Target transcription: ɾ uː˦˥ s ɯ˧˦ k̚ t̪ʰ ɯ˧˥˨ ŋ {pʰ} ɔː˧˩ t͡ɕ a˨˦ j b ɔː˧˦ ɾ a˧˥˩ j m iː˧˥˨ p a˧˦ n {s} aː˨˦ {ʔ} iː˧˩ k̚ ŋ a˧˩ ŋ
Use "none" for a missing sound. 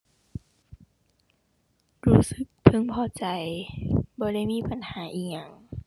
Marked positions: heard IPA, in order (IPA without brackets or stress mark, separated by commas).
pʰ, h, ʔ